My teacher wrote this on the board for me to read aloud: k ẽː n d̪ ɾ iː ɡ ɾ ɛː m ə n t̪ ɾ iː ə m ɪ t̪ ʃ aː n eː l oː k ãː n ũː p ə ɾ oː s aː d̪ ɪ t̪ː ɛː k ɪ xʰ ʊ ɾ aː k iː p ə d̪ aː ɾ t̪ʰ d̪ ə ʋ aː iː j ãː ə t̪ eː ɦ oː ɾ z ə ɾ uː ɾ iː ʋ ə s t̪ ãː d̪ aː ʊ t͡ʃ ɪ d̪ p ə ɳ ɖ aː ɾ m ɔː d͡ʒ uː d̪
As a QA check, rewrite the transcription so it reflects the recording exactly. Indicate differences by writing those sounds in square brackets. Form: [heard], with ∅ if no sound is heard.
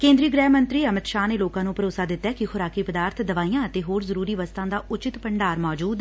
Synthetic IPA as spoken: k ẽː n d̪ ɾ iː ɡ ɾ ɛː m ə n t̪ ɾ iː ə m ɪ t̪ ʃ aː n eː l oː k ãː n ũː p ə ɾ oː s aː d̪ ɪ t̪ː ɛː k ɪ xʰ ʊ ɾ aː k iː p ə d̪ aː ɾ t̪ʰ d̪ ə ʋ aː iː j ãː ə t̪ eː ɦ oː ɾ z ə ɾ uː ɾ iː ʋ ə s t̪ ãː d̪ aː ʊ t͡ʃ ɪ [t̪] p ə ɳ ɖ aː ɾ m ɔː d͡ʒ uː d̪

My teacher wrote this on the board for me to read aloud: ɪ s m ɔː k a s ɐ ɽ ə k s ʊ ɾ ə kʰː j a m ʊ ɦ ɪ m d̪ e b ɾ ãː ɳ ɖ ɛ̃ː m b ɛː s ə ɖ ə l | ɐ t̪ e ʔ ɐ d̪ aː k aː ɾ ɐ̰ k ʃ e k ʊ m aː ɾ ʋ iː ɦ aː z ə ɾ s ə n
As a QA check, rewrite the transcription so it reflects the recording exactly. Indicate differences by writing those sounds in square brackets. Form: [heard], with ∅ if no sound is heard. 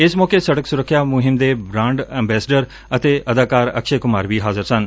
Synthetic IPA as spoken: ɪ s m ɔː k [e] s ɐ ɽ ə k s ʊ ɾ ə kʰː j a m ʊ ɦ ɪ m d̪ e b ɾ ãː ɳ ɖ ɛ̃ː m b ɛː s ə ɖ ə [ɾ] | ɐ t̪ e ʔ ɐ d̪ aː k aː ɾ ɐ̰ k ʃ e k ʊ m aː ɾ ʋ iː ɦ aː z ə ɾ s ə n

